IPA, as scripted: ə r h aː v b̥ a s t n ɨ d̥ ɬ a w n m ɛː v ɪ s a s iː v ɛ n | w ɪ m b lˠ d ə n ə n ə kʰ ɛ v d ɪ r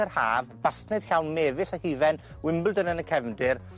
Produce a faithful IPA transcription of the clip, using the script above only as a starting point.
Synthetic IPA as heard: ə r h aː v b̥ a s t n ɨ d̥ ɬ a w n m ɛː v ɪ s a h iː v ɛ n | w ɪ m b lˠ d ə n ə n ə kʰ ɛ v d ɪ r